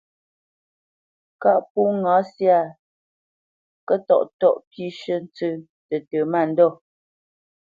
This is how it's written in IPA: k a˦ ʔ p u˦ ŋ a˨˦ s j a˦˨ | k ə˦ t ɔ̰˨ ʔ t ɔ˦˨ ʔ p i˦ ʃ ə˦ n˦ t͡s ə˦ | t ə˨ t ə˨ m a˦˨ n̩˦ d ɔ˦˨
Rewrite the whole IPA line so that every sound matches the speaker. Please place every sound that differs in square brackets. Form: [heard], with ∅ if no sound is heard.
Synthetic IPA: k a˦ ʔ p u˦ ŋ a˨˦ s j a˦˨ | k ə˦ t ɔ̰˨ ʔ t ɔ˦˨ ʔ p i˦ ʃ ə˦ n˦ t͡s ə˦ | t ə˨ t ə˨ m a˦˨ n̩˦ d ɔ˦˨